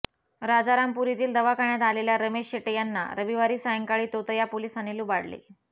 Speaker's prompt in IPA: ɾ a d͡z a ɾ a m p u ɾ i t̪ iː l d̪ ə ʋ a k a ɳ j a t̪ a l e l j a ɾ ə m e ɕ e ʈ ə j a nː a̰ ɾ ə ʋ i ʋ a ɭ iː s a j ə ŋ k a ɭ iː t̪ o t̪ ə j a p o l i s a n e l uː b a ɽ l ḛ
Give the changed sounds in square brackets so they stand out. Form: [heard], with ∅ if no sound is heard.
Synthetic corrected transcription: ɾ a d͡z a ɾ a m p u ɾ i t̪ iː l d̪ ə ʋ a k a ɳ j a t̪ a l e l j a ɾ ə m e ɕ e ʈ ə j a nː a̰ ɾ ə ʋ i ʋ a [ɾ] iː s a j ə ŋ k a ɭ iː t̪ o t̪ ə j a p o l i s a n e l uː b a ɽ l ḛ